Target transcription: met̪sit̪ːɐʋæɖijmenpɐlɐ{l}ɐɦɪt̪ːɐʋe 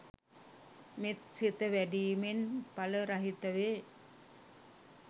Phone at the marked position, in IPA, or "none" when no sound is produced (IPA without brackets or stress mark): ɾ